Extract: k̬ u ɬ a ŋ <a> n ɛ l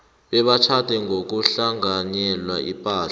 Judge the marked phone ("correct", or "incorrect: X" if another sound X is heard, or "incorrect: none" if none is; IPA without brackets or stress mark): correct